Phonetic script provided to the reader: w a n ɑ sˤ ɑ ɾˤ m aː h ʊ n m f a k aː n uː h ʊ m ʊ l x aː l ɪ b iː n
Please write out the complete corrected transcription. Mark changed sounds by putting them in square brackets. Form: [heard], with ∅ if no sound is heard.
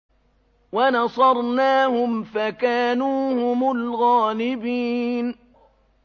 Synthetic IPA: w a n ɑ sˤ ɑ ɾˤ [n] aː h ʊ [∅] m f a k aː n uː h ʊ m ʊ l [ɣ] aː l ɪ b iː n